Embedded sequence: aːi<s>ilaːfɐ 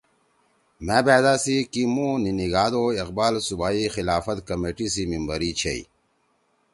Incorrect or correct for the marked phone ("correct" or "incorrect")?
incorrect